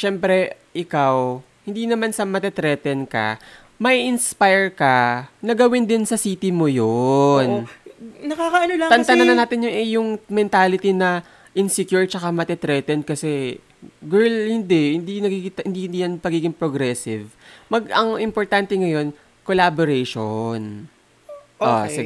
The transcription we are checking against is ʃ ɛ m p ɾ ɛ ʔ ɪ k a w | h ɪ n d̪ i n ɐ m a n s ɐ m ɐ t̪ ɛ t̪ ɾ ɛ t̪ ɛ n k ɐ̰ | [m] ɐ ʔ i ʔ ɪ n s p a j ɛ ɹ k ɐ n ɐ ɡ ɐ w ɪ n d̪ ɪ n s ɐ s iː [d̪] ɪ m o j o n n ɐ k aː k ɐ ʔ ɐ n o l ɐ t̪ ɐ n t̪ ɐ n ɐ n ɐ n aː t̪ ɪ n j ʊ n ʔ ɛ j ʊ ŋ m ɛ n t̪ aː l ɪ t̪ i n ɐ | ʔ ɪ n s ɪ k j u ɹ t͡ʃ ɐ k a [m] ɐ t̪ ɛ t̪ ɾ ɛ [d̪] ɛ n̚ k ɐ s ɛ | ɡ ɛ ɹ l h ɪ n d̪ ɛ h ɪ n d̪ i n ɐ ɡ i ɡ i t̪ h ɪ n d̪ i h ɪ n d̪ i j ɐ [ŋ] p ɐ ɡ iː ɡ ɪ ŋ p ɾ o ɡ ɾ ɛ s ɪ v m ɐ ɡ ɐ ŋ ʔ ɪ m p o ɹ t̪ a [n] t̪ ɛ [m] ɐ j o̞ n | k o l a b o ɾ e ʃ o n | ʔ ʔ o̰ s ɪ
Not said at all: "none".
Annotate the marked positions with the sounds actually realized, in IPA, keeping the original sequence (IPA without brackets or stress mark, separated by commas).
m, t̪, m, t̪, n, n, ŋ